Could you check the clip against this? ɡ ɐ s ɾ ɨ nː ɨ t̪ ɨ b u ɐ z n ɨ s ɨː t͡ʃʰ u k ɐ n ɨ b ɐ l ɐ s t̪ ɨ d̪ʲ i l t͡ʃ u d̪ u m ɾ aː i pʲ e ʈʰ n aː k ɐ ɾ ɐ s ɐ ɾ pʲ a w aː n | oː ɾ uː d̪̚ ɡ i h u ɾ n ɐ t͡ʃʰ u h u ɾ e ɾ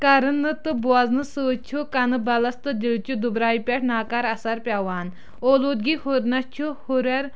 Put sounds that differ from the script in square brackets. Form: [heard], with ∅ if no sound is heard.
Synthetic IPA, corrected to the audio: [k] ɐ [∅] ɾ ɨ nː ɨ t̪ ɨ b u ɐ z n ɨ s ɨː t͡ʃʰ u k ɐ n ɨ b ɐ l ɐ s t̪ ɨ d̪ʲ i l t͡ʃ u d̪ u [b] ɾ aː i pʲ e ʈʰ n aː k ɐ ɾ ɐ s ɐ ɾ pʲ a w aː n | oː [l] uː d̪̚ ɡ i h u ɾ n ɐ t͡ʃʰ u h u ɾ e ɾ